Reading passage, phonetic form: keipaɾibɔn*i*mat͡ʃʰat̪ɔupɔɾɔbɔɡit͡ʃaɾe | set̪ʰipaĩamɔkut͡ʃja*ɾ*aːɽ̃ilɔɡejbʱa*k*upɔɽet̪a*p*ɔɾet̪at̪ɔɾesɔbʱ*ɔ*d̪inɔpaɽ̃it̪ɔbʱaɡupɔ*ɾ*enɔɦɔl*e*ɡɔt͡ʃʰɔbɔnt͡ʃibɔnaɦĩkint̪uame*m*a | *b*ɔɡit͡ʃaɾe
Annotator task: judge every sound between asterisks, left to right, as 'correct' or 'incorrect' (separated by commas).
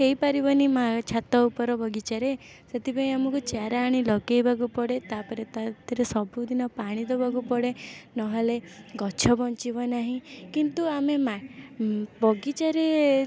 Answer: correct, correct, incorrect, correct, incorrect, incorrect, correct, correct, correct